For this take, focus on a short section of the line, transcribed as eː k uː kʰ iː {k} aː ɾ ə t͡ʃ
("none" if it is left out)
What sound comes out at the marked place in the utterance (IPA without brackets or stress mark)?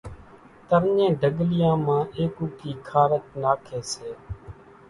kʰ